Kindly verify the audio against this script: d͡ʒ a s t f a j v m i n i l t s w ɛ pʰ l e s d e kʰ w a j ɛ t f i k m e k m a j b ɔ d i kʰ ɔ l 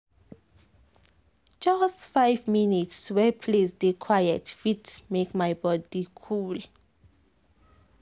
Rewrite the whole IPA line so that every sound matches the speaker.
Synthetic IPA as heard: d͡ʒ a s t f a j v m i n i t s w ɛ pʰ l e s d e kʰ w a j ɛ t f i t m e k m a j b ɔ d i kʰ u l